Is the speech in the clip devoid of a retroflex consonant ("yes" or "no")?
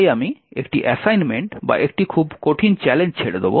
no